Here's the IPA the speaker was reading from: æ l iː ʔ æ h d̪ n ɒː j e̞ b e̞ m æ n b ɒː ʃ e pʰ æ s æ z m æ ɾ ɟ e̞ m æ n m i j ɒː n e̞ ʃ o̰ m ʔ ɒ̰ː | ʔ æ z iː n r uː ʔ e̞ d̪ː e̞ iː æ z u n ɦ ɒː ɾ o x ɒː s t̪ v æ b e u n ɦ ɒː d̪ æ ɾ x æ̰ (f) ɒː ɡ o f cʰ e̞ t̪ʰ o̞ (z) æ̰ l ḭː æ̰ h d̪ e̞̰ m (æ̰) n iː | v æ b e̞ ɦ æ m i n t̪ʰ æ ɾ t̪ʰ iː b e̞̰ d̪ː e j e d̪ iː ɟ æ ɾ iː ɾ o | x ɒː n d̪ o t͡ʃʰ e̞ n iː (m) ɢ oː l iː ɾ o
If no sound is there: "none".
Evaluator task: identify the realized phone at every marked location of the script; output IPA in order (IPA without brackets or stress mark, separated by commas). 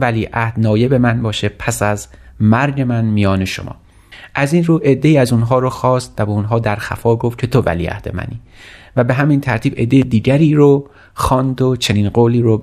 f, v, æ̰, n